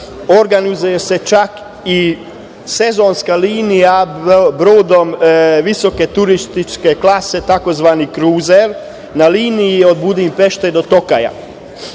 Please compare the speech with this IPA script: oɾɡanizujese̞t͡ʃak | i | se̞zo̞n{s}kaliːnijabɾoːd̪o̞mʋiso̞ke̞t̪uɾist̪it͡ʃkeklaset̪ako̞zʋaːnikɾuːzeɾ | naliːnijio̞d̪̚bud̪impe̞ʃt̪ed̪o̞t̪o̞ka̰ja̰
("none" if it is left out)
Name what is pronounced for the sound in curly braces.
s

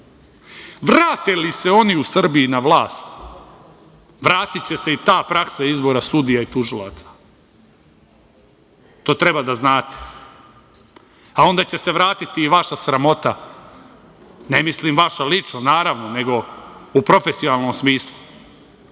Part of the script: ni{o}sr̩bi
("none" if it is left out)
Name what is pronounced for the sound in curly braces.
u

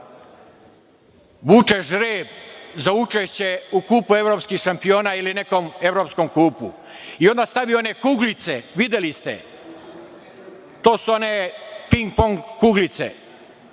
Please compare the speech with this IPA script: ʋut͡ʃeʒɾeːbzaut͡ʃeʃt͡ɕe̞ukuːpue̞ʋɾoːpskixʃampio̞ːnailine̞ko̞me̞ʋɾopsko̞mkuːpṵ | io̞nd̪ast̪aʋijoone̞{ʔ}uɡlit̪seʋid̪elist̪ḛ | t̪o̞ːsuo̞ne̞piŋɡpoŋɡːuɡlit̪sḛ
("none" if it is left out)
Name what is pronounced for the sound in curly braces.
k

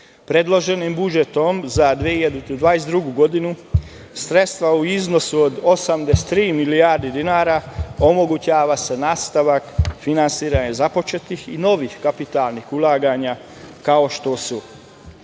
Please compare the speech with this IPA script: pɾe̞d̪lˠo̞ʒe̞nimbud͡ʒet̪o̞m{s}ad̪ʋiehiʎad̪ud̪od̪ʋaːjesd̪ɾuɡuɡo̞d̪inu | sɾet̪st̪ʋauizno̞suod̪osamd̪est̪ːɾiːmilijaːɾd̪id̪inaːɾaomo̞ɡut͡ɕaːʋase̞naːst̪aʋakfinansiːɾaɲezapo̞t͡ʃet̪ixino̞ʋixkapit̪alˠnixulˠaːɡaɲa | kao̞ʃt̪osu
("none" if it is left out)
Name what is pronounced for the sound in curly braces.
z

